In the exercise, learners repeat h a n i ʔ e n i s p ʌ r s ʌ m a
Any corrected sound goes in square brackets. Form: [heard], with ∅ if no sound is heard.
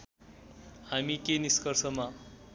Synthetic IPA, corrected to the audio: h a [m] i [k] e n i s [k] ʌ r s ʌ m a